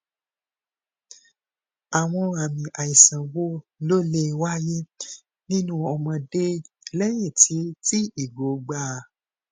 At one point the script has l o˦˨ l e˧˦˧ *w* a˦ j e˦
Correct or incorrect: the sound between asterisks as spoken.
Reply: correct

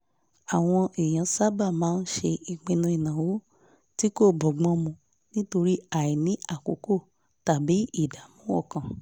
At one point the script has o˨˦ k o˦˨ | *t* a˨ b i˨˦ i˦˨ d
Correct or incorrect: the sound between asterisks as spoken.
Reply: correct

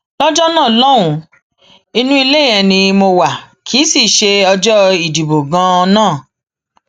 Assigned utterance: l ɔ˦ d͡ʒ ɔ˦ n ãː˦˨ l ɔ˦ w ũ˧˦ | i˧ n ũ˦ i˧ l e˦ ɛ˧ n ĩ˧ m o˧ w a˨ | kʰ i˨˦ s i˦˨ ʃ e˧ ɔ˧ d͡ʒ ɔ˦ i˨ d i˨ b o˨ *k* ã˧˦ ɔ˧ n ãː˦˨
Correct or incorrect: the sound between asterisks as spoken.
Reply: incorrect: ɡ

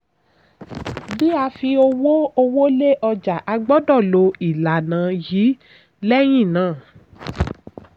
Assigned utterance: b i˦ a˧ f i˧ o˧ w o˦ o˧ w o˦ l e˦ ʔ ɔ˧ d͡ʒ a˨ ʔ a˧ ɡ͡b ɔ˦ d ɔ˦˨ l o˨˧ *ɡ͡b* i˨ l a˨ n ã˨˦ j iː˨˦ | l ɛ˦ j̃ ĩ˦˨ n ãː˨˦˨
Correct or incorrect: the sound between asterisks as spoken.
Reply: incorrect: none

